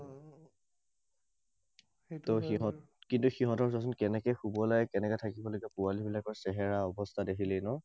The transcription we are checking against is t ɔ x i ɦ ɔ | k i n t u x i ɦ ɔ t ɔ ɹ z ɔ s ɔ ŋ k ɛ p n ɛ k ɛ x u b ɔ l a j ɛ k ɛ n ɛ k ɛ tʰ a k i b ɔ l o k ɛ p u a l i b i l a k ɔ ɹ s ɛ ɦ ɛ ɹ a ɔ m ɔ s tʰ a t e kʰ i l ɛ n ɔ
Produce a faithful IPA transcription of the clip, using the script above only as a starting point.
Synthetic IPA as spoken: t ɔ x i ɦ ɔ | k i n t u x i ɦ ɔ t ɔ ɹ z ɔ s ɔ n k ɛ n ɛ k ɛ x u b ɔ l a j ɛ k ɛ n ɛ k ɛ tʰ a k i b ɔ l o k ɛ p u a l i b i l a k ɔ ɹ s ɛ ɦ ɛ ɹ a ɔ b ɔ s tʰ a d e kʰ i l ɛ n ɔ